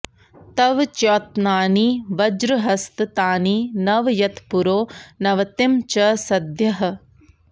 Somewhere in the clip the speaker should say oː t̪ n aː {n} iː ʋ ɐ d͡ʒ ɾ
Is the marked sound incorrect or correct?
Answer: correct